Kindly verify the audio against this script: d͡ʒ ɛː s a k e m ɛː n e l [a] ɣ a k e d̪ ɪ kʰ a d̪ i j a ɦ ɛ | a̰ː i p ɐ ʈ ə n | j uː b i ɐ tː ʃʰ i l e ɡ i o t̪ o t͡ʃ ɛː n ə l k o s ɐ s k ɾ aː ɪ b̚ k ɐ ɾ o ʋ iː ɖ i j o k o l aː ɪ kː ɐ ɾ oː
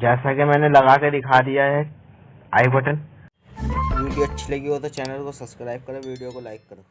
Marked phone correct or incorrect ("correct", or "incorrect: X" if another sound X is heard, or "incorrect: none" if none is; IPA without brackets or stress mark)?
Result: incorrect: ɐ